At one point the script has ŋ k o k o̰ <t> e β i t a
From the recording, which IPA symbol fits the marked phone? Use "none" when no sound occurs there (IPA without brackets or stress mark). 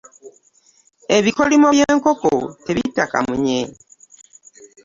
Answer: t